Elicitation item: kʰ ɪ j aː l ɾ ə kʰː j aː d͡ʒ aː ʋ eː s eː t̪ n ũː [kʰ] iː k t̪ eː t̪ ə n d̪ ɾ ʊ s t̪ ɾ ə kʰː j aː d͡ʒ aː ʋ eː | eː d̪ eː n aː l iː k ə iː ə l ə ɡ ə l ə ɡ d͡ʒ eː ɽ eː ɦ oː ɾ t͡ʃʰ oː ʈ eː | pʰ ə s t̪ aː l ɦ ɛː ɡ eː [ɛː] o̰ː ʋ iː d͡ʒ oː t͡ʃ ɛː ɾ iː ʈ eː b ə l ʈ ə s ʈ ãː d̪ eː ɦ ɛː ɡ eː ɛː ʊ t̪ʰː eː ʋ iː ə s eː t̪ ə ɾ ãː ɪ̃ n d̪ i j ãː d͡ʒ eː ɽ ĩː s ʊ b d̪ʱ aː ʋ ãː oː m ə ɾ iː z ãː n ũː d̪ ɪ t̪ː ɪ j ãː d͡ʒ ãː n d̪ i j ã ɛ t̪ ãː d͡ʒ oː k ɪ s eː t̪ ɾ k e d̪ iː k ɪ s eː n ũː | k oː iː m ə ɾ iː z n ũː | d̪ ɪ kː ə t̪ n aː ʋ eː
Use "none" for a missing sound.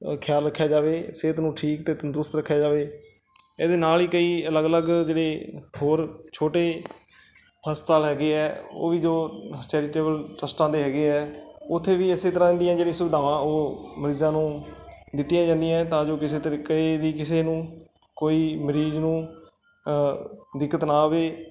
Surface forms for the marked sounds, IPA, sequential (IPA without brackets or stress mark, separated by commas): ʈʰ, ɛː